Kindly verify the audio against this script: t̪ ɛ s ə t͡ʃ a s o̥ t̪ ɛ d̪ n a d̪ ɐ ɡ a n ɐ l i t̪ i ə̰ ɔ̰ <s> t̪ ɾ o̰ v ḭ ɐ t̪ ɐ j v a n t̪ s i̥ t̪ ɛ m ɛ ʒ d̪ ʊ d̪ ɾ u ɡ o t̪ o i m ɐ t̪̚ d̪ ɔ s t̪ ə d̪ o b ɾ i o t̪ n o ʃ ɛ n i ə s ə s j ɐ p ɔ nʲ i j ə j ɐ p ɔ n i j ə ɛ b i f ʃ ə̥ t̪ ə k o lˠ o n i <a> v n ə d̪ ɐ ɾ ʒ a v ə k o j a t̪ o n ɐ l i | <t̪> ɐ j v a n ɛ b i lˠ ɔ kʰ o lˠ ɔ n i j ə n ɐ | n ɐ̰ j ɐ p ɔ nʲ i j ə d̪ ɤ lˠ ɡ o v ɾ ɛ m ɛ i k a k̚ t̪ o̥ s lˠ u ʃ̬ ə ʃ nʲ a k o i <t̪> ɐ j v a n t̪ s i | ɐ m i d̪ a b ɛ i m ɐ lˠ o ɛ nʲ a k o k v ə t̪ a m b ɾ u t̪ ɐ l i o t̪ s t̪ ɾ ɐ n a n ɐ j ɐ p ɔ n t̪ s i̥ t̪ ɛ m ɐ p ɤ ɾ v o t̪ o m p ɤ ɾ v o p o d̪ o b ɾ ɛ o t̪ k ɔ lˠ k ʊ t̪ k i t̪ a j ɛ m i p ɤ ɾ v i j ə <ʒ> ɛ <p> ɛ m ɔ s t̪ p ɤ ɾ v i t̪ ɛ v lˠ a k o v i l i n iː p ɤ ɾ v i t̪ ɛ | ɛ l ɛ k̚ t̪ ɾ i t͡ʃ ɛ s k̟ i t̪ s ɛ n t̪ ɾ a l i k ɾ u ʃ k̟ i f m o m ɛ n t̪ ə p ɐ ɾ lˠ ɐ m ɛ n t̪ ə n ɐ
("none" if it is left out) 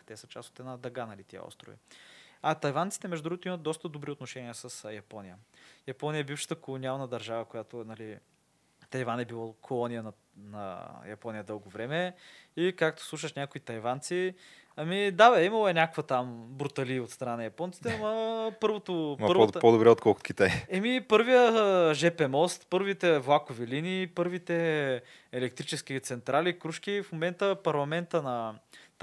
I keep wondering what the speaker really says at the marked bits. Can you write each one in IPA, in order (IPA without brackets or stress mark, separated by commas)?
s, a, t̪, t̪, ʒ, p